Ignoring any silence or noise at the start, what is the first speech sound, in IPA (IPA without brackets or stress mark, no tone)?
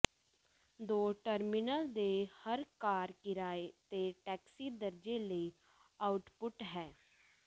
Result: d̪